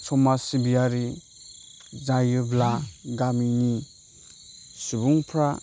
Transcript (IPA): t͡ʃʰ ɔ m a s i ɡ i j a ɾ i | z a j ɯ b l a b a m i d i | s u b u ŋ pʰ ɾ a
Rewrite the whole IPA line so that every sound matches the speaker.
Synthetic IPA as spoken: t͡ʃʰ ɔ m a s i b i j a ɾ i | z a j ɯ b l a ɡ a m i n i | s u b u ŋ pʰ ɾ a